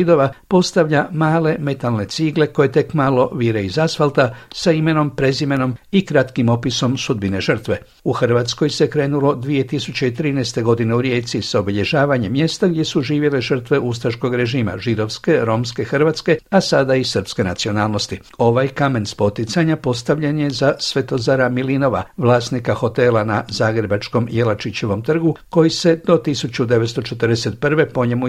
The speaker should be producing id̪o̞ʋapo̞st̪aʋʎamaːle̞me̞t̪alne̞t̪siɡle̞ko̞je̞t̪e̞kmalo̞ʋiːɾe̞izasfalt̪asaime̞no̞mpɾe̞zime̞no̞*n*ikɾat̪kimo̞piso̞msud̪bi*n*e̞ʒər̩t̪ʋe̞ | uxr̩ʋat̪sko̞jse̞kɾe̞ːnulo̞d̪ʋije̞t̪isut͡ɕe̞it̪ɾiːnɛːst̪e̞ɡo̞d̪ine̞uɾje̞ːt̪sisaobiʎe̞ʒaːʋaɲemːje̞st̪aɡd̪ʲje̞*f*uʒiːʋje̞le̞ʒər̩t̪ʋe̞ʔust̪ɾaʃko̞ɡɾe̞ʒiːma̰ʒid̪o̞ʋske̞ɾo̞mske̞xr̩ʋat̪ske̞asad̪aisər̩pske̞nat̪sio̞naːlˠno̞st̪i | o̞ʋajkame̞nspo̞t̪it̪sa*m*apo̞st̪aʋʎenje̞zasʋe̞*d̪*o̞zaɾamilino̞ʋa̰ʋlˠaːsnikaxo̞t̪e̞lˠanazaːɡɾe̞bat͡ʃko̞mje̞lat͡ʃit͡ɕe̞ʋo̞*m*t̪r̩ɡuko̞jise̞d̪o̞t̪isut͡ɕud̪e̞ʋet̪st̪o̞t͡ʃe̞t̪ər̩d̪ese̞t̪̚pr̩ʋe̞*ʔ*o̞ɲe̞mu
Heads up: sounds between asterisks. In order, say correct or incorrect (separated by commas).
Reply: incorrect, correct, incorrect, incorrect, incorrect, correct, incorrect